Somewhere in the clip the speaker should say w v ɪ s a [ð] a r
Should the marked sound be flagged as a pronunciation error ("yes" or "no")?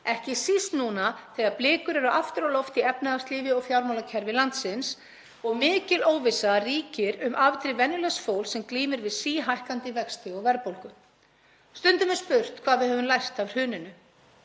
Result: no